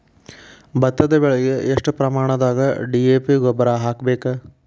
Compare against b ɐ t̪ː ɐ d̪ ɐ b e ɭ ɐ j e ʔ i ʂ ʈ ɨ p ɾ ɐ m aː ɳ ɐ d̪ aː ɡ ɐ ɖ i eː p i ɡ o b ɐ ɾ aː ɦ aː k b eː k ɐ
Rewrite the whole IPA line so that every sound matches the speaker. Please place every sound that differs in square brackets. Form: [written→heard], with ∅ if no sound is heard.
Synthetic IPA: b ɐ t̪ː ɐ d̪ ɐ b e ɭ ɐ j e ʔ [i→e] ʂ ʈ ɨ p ɾ ɐ m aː ɳ ɐ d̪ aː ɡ ɐ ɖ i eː p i ɡ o b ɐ ɾ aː ɦ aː k b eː k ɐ